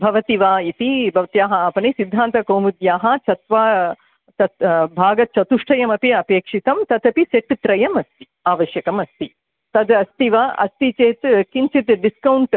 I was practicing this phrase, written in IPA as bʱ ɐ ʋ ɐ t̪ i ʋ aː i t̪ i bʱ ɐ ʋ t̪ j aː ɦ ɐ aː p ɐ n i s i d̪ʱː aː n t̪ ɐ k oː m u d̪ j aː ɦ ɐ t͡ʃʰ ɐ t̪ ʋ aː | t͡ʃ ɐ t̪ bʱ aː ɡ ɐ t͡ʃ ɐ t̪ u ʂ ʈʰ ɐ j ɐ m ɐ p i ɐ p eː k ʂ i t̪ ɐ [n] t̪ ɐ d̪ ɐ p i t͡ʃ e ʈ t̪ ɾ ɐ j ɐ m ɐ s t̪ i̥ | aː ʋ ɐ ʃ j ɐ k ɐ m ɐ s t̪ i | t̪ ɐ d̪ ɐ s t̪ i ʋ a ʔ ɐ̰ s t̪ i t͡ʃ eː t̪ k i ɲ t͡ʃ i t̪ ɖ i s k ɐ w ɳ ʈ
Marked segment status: incorrect: m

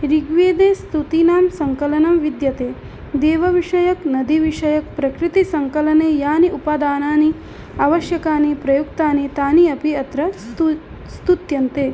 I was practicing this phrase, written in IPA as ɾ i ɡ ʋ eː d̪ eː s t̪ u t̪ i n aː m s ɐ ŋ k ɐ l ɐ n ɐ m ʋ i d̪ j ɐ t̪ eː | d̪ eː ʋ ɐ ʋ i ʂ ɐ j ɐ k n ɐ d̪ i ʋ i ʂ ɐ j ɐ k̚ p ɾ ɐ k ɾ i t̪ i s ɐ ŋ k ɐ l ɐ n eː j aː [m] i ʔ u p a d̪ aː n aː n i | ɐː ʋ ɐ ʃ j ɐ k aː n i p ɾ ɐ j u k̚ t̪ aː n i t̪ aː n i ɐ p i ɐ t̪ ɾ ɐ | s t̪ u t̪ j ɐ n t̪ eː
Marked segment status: incorrect: n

